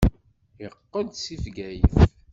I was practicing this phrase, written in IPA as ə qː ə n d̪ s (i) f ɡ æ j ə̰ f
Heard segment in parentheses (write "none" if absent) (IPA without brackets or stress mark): i